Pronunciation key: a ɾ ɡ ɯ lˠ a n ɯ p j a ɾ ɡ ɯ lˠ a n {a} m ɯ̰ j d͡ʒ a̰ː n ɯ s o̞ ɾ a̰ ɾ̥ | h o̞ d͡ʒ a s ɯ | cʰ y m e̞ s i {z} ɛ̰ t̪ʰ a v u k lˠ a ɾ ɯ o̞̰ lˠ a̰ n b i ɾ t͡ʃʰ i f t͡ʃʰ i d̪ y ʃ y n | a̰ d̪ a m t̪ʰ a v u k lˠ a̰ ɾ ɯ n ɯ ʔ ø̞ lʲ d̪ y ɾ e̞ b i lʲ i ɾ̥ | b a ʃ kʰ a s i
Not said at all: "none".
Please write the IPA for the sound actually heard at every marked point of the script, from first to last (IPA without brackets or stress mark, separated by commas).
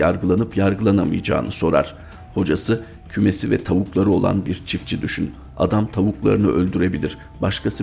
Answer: a, v